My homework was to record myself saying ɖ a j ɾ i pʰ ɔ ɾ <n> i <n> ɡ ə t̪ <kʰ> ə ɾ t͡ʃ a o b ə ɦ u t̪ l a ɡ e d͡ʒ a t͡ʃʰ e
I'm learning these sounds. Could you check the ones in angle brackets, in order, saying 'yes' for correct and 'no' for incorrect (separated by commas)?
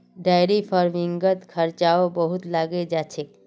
no, no, yes